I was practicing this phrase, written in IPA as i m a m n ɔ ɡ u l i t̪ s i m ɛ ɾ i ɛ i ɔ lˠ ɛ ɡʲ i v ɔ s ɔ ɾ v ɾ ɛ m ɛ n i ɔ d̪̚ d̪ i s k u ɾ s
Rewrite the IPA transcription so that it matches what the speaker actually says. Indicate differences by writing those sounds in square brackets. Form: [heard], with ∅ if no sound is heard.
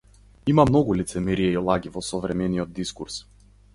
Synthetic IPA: i m a m n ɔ ɡ u l i t̪ s [ɛ] m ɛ ɾ i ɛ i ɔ lˠ [a] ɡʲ i v ɔ s ɔ [∅] v ɾ ɛ m ɛ n i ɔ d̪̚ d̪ i s k u ɾ s